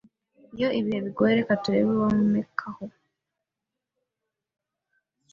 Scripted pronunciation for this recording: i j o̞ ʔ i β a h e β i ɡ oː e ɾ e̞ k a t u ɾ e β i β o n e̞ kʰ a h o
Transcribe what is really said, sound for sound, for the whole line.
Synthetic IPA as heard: i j o̞ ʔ i β i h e β i ɡ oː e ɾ e̞ k a t u ɾ e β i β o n e̞ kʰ a h o